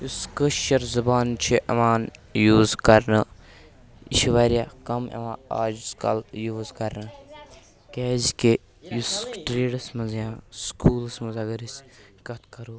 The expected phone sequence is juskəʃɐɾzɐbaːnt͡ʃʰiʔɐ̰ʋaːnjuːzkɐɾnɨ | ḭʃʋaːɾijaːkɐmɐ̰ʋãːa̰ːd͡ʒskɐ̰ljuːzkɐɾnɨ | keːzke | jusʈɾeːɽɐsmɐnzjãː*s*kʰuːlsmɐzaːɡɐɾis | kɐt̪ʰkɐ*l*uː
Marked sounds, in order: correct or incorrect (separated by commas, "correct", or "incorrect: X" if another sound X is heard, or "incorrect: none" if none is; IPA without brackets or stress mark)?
correct, incorrect: ɾ